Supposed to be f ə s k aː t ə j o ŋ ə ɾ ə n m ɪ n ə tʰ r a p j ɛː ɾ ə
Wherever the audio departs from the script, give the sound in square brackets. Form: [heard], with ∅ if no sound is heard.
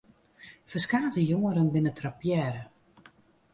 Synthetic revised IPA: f ə s k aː t ə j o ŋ ə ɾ ə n [b] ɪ n ə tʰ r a p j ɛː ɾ ə